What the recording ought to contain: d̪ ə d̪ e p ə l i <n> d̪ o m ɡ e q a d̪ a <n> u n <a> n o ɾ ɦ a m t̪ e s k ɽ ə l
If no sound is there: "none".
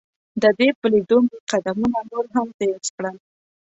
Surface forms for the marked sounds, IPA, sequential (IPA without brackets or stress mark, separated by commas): none, m, a